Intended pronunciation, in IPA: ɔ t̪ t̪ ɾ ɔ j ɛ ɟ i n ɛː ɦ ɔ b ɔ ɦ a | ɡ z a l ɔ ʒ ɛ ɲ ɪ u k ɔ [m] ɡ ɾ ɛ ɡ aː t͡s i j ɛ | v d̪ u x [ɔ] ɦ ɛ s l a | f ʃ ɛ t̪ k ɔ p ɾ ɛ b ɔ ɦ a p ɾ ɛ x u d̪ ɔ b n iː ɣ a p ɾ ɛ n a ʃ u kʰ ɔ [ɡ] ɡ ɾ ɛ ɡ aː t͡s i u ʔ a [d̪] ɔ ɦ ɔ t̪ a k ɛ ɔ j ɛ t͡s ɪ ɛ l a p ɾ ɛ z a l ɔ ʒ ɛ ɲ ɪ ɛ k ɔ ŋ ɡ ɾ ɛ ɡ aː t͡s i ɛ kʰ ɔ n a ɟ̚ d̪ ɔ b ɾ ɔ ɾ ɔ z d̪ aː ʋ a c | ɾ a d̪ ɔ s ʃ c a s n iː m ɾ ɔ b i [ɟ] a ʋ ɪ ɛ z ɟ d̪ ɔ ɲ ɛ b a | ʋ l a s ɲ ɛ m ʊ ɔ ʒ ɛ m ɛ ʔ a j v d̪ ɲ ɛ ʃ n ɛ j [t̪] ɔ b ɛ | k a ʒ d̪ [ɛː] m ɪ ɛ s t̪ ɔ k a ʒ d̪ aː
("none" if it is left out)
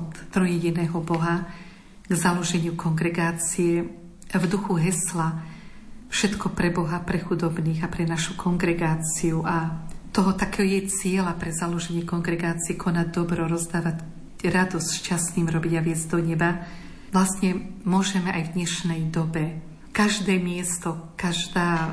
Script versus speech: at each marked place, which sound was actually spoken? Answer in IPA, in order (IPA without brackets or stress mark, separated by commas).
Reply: ŋ, u, ŋ, t̪, ɟ, d̪, ɛː